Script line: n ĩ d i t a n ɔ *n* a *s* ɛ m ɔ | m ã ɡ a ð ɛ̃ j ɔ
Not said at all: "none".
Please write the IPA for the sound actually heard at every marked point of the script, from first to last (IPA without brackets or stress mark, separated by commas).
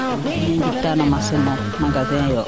m, s